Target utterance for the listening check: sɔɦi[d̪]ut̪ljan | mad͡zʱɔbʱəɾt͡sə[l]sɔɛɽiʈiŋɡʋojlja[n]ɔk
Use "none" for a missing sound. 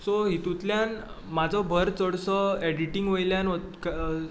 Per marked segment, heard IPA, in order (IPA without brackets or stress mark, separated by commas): t̪, ɽ, n